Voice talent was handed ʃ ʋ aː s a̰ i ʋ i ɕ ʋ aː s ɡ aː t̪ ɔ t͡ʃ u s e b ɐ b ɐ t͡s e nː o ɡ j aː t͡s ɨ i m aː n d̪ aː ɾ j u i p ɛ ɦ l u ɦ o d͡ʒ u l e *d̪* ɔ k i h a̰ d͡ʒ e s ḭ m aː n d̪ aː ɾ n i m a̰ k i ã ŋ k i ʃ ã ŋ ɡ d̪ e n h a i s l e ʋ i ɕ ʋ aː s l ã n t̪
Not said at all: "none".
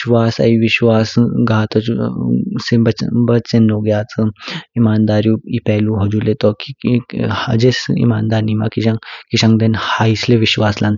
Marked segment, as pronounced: t̪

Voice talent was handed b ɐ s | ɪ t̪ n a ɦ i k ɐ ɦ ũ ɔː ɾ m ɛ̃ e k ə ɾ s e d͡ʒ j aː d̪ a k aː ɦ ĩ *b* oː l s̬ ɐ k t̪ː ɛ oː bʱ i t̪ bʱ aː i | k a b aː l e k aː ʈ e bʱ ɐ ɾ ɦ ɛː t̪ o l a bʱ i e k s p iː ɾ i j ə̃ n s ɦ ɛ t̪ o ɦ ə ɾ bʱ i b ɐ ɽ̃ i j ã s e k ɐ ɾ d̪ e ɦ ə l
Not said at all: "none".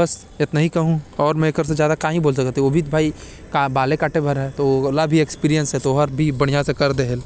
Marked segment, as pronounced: b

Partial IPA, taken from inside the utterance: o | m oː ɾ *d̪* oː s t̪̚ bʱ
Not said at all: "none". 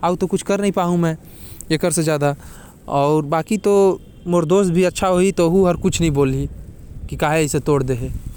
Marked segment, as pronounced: d̪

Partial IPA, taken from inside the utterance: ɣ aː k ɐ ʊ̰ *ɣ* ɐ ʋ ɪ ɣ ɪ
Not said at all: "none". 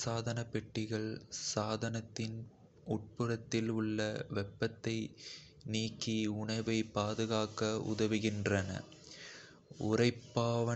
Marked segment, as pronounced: ð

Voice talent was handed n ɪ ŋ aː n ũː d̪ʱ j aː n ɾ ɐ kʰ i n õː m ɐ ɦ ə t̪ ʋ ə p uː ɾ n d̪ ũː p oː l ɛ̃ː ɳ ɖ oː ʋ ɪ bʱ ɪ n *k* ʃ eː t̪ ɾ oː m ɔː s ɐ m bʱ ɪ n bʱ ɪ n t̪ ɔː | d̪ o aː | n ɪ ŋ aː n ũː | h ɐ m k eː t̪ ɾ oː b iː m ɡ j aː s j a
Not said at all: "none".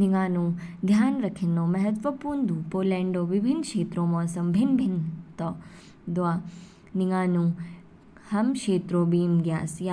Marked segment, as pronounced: k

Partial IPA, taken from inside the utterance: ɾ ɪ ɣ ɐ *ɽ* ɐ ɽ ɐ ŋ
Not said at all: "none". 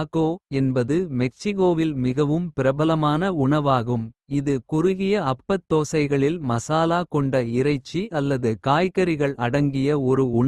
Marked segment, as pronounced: ɭ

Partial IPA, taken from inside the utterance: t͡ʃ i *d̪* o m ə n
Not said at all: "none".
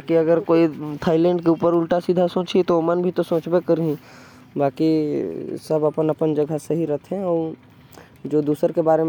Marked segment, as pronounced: t̪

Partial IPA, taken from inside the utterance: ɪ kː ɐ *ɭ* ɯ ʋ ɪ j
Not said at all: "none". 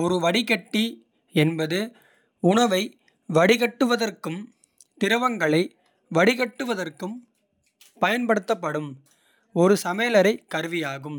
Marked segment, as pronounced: ɾ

